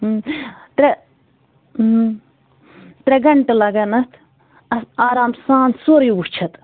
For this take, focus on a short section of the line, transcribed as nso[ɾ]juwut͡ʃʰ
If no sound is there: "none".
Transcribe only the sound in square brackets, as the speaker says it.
ɾ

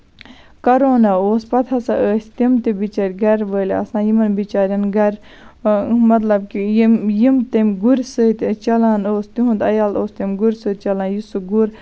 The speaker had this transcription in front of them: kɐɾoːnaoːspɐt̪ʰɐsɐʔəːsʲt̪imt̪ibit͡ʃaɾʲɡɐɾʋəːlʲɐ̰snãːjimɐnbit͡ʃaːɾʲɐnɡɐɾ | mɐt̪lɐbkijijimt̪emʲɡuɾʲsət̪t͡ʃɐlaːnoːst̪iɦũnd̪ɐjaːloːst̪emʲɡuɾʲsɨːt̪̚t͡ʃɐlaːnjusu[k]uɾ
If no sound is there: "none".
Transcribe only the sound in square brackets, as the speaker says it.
ɡ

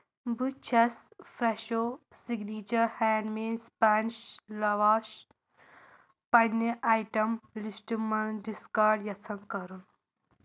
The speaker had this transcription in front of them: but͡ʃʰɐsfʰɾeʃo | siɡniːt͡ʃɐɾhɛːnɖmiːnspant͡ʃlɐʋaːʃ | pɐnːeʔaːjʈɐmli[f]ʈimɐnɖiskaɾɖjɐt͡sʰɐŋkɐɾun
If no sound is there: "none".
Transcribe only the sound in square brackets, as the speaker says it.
s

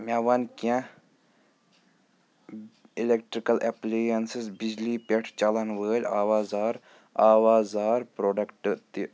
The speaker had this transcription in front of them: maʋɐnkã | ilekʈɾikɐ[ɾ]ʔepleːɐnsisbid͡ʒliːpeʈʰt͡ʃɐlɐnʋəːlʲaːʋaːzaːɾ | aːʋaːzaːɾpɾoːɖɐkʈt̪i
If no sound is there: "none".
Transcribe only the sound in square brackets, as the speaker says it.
l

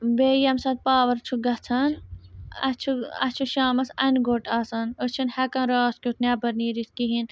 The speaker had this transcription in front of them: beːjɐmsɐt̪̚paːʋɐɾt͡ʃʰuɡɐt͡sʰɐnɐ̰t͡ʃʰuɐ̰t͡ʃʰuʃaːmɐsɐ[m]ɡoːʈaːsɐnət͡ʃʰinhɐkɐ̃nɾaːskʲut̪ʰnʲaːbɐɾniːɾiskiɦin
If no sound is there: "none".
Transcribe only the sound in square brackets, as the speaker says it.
n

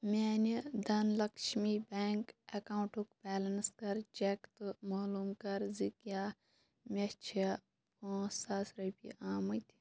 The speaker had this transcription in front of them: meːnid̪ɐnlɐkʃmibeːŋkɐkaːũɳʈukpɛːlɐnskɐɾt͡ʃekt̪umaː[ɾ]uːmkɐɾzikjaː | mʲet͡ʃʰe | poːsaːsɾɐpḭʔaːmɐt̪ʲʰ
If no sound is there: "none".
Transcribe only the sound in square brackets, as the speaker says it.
l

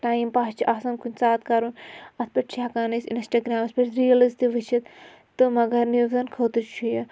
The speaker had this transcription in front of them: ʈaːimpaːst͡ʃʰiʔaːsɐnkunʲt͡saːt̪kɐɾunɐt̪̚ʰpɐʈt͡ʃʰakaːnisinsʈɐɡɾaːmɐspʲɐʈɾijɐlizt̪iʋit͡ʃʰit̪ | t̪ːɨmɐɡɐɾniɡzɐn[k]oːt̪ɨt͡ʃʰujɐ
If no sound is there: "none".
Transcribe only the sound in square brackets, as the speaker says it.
kʰ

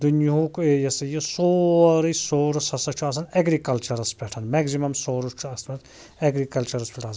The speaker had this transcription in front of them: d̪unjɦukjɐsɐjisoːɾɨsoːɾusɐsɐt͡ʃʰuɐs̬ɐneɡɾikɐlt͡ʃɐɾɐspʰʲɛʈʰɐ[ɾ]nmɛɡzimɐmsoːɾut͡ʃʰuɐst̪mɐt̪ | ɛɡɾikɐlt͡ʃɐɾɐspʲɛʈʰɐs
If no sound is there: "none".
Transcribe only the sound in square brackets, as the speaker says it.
none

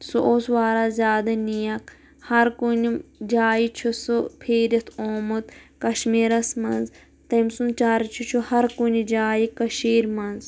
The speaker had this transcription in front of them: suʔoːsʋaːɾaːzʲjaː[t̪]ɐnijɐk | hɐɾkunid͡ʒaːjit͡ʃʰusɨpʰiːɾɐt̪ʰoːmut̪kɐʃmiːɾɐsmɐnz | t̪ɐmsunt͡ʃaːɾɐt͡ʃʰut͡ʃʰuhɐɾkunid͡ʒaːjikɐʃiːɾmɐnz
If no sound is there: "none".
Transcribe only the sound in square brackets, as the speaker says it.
d̪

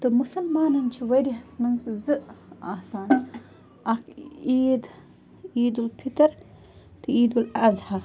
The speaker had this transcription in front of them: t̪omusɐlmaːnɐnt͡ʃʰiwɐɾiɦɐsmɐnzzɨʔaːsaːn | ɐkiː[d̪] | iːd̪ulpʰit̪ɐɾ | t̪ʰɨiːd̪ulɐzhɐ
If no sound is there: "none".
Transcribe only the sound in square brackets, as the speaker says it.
d̪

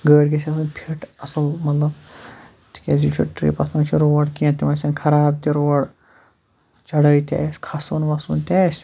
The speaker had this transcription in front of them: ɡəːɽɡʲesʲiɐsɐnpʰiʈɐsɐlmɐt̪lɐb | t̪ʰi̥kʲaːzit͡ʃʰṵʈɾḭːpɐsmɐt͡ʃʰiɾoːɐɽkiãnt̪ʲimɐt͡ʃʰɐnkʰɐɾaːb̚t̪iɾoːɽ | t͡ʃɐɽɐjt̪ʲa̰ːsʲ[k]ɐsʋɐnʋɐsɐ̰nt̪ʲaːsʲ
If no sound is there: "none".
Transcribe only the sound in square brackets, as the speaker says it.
kʰ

